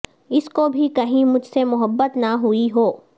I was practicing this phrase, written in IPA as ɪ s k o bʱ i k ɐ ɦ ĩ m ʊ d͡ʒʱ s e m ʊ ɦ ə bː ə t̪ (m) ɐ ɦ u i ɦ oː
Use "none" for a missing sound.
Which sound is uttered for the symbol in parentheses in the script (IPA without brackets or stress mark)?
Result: n